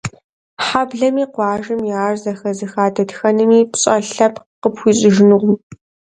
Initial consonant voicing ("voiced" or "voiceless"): voiceless